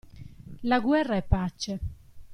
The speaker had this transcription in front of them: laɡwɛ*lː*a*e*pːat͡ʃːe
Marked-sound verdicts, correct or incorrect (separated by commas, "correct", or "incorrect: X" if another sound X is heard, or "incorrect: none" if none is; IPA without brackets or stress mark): incorrect: rː, incorrect: ɛ